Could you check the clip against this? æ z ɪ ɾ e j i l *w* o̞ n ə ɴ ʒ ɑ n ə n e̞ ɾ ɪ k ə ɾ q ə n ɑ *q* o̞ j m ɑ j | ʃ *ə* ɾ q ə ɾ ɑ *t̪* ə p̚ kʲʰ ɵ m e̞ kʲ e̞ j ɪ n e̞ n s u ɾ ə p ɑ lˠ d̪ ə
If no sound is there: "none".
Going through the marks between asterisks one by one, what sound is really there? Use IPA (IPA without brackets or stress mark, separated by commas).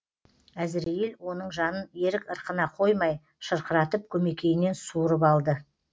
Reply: w, qʰ, ə, t̪